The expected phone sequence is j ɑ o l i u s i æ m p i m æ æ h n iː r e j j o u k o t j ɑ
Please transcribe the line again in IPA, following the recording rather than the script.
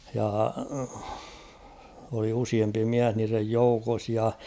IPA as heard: j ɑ o l i u s i e m p i m i æ h n iː r e j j o u k o s j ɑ